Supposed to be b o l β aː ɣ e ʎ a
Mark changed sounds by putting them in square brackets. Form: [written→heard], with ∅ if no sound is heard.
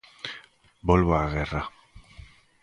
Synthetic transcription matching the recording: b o l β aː ɣ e [ʎ→r] a

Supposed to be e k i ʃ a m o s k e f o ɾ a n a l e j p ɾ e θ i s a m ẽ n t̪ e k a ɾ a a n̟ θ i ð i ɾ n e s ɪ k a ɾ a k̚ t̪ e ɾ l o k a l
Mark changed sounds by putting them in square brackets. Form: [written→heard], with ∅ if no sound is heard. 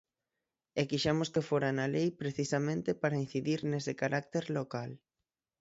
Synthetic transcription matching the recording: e k i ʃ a m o s k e f o ɾ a n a l e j p ɾ e θ i s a m ẽ n t̪ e [k→p] a ɾ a [a→i] n̟ θ i ð i ɾ n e s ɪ k a ɾ a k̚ t̪ e ɾ l o k a l

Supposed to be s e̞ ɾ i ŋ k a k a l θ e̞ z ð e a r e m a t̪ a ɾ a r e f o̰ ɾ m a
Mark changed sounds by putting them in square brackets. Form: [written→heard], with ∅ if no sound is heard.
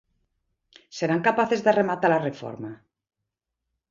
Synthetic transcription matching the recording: s e̞ ɾ [i→a] ŋ k a [k→p] a [l→∅] θ e̞ z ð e a r e m a t̪ a [ɾ→l] a r e f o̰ ɾ m a

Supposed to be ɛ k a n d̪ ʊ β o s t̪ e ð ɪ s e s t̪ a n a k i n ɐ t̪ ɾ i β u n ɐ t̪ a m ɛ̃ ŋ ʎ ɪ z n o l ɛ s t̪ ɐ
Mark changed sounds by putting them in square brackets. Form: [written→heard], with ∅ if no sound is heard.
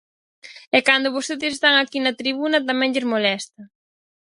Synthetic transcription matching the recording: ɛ k a n d̪ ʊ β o s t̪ e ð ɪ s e s t̪ a [n→ŋ] a k i n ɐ t̪ ɾ i β u n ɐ t̪ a m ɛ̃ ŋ ʎ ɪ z [n→m] o l ɛ s t̪ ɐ

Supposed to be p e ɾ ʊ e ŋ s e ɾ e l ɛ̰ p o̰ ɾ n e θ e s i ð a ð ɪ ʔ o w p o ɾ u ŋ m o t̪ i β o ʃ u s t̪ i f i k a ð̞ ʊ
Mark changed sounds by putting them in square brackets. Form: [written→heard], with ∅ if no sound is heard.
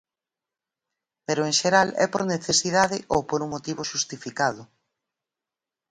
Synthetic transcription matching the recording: p e ɾ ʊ e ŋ [s→ʃ] e ɾ [e→a] l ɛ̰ p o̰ ɾ n e θ e s i ð a ð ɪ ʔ o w p o ɾ u ŋ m o t̪ i β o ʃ u s t̪ i f i k a ð̞ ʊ

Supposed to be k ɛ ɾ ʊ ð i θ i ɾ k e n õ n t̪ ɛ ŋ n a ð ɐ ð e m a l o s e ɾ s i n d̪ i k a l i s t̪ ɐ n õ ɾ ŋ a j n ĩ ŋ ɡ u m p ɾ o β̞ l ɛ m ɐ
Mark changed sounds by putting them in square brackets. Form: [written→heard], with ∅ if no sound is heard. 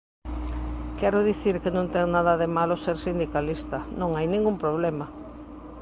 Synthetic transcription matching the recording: k ɛ ɾ ʊ ð i θ i ɾ k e n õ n t̪ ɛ ŋ n a ð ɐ ð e m a l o s e ɾ s i n d̪ i k a l i s t̪ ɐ n õ [ɾ→∅] ŋ a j n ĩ ŋ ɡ u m p ɾ o β̞ l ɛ m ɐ

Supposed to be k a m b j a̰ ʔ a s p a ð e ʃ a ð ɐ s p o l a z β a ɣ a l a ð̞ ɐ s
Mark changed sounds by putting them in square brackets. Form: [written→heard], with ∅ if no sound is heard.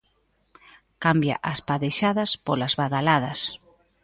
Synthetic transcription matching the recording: k a m b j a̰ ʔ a s p a ð e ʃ a ð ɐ s p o l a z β a [ɣ→ð] a l a ð̞ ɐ s

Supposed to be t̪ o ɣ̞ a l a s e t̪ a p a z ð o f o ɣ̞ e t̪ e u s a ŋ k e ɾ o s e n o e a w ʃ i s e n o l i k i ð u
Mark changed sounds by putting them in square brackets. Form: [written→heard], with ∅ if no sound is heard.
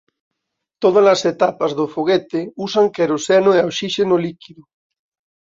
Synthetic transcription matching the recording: t̪ o [ɣ̞→ð̞] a l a s e t̪ a p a z ð o f o ɣ̞ e t̪ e u s a ŋ k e ɾ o s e n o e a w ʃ i [s→ʃ] e n o l i k i ð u

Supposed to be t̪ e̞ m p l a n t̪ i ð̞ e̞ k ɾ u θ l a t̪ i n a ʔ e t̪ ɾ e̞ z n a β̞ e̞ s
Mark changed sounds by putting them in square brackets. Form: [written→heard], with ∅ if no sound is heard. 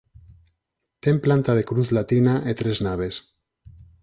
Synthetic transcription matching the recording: t̪ e̞ m p l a n t̪ [i→a] ð̞ e̞ k ɾ u θ l a t̪ i n a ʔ e t̪ ɾ e̞ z n a β̞ e̞ s

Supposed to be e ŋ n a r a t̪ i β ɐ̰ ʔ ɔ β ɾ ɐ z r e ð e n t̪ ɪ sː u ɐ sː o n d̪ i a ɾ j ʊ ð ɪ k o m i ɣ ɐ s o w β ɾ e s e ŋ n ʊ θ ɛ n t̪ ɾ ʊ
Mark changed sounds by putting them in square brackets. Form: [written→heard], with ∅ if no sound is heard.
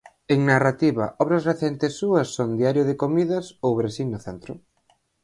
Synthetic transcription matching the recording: e ŋ n a r a t̪ i β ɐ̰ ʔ ɔ β ɾ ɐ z r e [ð→θ] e n t̪ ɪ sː u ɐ sː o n d̪ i a ɾ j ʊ ð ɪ k o m i [ɣ→ð] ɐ s o w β ɾ e s [e→i] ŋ n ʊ θ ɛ n t̪ ɾ ʊ

